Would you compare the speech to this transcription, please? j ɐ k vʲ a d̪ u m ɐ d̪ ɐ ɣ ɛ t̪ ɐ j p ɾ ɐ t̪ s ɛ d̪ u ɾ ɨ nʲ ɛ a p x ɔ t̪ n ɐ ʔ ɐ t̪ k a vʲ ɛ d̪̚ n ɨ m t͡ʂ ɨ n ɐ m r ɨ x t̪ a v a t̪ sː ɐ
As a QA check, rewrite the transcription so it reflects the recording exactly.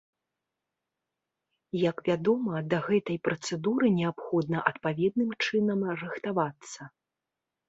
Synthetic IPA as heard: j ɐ k vʲ a d̪ ɔ m ɐ d̪ ɐ ɣ ɛ t̪ ɐ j p ɾ ɐ t̪ s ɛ d̪ u ɾ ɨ nʲ ɛ a p x ɔ d̪ n ɐ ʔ ɐ t̪ p a vʲ ɛ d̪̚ n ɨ m t͡ʂ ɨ n ɐ m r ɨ x t̪ a v a t̪ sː ɐ